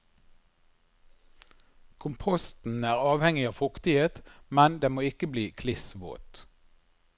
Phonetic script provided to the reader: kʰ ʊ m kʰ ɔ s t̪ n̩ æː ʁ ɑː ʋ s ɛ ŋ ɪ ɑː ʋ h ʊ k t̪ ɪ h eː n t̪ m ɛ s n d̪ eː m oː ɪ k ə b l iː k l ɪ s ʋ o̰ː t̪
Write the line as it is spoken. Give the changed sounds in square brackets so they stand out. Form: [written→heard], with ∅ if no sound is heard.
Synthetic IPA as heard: kʰ ʊ m [kʰ→pʰ] ɔ s t̪ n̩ æː ʁ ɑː ʋ [s→h] ɛ ŋ ɪ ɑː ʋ [h→f] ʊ k t̪ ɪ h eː [n→∅] t̪ m ɛ [s→∅] n d̪ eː m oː ɪ k ə b l iː [k→kʰ] l ɪ s ʋ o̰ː t̪